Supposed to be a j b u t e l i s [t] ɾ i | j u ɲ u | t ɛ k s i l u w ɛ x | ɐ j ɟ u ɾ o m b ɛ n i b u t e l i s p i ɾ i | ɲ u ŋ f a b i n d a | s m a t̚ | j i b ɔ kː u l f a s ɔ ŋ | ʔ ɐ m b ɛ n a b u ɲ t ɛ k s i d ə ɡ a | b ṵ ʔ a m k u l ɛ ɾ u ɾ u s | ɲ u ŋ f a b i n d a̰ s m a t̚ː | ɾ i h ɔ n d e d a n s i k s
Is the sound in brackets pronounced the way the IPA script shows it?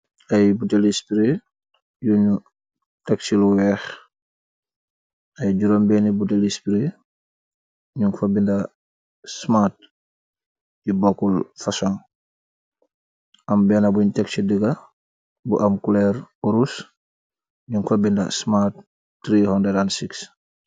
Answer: no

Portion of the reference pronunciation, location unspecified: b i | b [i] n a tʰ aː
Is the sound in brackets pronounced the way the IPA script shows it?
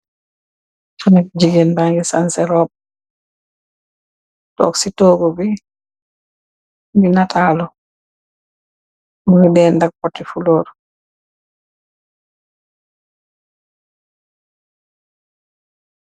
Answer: yes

